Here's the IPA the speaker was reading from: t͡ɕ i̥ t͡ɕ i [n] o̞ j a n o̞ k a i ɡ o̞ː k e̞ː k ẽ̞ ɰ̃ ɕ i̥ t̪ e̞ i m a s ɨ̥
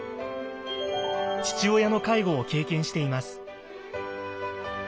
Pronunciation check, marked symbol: incorrect: none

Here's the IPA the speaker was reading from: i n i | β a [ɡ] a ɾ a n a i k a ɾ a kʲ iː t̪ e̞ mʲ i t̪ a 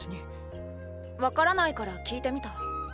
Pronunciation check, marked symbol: incorrect: k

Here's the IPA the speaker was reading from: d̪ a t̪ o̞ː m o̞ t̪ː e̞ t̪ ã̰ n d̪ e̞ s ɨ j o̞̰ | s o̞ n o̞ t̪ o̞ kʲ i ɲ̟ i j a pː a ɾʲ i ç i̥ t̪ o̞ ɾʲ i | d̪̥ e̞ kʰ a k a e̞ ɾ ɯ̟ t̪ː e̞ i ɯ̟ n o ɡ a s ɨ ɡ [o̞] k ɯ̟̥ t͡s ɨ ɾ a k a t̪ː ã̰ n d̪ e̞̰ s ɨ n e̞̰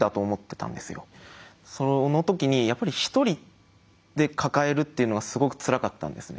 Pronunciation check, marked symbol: correct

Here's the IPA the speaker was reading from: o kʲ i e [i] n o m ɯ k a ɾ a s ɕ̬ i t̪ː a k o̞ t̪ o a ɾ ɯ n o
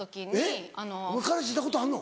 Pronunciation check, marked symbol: incorrect: a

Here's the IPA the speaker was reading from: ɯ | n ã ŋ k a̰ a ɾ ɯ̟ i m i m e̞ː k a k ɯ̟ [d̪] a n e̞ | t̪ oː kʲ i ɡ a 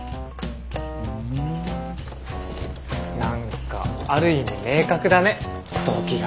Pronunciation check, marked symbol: correct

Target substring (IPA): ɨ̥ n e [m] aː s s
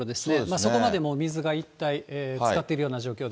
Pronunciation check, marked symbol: correct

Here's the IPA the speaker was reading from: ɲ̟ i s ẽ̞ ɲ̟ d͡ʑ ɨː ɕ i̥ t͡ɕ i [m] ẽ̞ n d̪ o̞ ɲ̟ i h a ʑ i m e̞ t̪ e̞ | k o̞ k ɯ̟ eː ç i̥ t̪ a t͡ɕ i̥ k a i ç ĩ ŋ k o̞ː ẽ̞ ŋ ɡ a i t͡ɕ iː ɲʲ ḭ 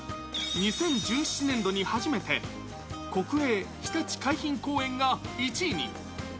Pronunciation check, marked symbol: incorrect: n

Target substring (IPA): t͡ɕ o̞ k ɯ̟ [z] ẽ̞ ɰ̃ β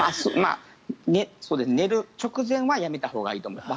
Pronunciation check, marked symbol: correct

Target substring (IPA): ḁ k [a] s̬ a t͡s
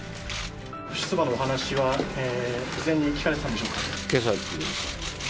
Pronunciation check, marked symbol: incorrect: e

